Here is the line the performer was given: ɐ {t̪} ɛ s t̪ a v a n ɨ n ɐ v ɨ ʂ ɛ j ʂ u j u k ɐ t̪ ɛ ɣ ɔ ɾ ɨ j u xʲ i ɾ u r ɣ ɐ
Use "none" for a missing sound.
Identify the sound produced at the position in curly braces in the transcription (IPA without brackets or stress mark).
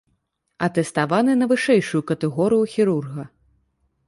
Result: t̪